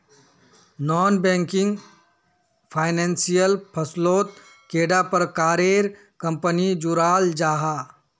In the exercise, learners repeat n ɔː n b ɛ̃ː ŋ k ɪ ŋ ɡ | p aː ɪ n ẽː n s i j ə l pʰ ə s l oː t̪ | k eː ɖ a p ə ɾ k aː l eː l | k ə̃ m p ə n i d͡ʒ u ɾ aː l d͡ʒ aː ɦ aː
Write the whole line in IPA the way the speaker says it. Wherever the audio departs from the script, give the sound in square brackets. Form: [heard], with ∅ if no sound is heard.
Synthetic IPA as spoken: n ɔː n b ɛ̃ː ŋ k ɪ ŋ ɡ | [pʰ] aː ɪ n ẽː n s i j ə l pʰ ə s l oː t̪ | k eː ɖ a p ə ɾ k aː [ɾ] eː [ɾ] | k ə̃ m p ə n i d͡ʒ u ɾ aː l d͡ʒ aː ɦ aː